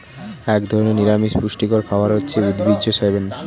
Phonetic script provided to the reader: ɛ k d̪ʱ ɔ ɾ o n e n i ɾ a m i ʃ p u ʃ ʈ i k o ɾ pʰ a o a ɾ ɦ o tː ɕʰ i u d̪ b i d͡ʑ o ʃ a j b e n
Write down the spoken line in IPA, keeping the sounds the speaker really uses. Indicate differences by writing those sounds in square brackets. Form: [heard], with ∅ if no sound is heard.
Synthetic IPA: ɛ k d̪ʱ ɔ ɾ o n e n i ɾ a m i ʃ p u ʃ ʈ i k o ɾ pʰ a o a ɾ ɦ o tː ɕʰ [e] u d̪ b i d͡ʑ o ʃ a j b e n

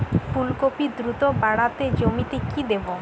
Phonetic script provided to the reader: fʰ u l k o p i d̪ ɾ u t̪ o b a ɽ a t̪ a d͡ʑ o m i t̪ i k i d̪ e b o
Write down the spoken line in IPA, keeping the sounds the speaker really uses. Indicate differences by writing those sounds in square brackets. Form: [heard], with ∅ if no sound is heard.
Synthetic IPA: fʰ u l k o p i d̪ ɾ u t̪ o b a ɽ a t̪ [e] d͡ʑ o m i t̪ [e] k i d̪ e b o

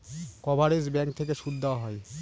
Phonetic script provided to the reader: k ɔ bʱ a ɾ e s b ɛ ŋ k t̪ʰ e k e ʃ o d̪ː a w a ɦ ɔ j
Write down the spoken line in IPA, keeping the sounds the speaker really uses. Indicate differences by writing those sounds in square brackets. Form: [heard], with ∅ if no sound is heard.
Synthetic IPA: k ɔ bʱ a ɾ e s b ɛ ŋ k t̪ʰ e k e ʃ [u] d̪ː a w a ɦ ɔ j

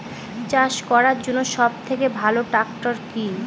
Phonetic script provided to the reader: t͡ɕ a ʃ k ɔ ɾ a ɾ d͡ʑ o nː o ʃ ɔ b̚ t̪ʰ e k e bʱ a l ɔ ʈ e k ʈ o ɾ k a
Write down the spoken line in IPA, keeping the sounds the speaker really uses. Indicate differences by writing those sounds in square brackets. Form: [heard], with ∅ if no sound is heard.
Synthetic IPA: t͡ɕ a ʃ k ɔ ɾ a ɾ d͡ʑ o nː o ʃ ɔ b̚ t̪ʰ e k e bʱ a l [o] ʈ [a] k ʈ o ɾ k [i]

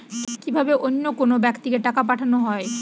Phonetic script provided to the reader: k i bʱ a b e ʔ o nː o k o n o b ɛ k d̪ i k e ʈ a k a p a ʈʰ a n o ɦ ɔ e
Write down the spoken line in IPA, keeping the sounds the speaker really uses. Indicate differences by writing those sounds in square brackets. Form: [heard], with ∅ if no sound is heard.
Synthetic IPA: k i bʱ a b e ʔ o nː o k o n o b ɛ k [t̪] i k e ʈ a k a p a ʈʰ a n o ɦ ɔ e

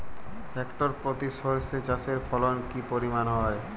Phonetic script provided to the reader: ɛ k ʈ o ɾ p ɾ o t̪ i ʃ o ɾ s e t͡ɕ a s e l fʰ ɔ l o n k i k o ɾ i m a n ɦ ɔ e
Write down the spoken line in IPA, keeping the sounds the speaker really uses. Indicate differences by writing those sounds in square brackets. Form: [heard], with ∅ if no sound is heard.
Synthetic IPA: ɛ k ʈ o ɾ p ɾ o t̪ i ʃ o ɾ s e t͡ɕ a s e [ɾ] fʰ ɔ l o n k i [p] o ɾ i m a n ɦ ɔ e

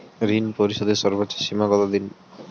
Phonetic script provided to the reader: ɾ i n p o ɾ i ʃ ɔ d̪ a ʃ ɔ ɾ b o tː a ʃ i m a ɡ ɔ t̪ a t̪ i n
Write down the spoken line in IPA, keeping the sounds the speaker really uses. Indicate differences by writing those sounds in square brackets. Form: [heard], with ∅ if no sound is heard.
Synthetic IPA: ɾ i n p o ɾ i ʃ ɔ d̪ [e] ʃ ɔ ɾ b o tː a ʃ i m a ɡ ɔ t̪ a [d̪] i n

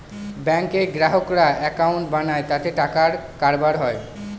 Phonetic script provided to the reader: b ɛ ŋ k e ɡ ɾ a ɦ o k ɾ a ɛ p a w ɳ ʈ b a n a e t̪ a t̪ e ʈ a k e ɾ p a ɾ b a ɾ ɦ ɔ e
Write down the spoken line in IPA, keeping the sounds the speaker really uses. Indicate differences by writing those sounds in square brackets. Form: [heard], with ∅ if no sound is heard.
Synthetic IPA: b ɛ ŋ k e ɡ ɾ a ɦ o k ɾ a ɛ [k] a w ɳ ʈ b a n a e t̪ a t̪ e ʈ a k [a] ɾ [k] a ɾ b a ɾ ɦ ɔ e

